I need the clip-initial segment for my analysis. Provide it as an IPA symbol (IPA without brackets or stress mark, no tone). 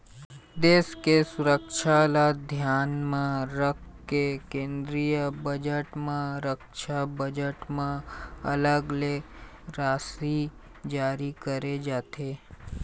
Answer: d̪